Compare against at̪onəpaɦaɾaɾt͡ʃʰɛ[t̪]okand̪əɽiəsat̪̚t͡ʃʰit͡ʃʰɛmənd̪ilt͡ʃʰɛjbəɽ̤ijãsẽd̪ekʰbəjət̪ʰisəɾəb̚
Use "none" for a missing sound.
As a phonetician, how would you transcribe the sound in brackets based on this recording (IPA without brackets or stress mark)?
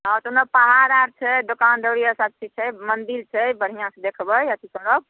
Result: d̪